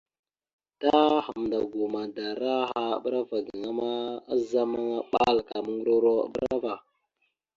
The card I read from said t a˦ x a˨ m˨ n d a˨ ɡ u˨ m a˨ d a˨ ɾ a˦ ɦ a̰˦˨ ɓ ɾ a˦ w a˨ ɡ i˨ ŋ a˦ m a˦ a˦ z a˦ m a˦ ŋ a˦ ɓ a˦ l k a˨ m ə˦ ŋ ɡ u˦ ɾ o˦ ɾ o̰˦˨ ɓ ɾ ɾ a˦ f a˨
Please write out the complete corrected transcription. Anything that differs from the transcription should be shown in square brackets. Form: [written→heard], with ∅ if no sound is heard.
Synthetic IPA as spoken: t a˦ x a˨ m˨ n d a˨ ɡ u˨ m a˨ d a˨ ɾ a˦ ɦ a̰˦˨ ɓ ɾ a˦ [w→v] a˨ ɡ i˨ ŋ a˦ m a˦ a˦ z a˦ m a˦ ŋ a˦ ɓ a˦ l k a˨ m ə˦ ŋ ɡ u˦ ɾ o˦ ɾ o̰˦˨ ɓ ɾ ɾ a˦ [f→v] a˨